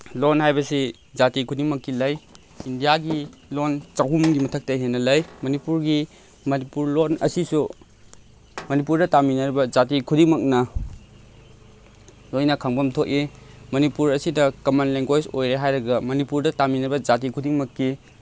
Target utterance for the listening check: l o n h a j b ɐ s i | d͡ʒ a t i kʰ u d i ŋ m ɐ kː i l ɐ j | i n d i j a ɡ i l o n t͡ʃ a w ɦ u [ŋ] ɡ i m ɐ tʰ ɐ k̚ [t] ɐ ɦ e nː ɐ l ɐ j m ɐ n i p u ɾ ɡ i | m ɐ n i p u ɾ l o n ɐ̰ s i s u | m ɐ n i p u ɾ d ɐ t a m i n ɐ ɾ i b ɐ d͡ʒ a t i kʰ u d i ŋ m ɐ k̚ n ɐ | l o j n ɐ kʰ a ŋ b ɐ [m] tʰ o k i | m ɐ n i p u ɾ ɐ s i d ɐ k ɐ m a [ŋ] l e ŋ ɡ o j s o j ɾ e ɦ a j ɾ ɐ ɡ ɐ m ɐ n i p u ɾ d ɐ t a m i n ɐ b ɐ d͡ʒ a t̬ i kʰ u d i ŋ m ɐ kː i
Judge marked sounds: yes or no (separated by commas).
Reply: no, yes, yes, no